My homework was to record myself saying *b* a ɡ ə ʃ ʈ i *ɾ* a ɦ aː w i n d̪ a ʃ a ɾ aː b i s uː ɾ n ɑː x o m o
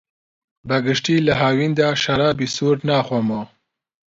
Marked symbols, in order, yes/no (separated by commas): yes, no